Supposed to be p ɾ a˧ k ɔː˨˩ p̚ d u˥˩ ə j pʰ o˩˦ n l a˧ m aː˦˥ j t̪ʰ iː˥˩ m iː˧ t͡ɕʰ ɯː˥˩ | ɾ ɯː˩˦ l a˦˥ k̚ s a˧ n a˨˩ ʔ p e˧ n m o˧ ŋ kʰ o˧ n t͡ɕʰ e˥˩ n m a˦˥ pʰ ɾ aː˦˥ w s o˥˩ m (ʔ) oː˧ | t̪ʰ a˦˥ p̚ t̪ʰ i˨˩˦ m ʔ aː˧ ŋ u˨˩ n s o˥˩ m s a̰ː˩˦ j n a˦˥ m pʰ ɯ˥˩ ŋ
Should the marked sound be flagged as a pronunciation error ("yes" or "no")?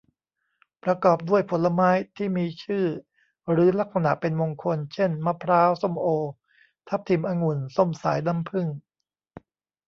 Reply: no